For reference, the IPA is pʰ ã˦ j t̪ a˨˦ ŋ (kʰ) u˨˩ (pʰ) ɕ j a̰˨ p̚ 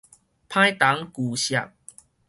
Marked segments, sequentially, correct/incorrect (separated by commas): incorrect, incorrect